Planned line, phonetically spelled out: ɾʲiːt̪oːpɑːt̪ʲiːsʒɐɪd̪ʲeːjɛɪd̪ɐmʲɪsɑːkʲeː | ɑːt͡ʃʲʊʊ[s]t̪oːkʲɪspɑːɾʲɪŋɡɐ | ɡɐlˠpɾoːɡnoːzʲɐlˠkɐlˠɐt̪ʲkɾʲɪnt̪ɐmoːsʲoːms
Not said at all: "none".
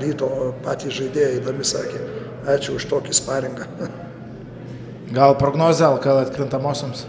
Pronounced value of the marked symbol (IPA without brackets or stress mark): ʃ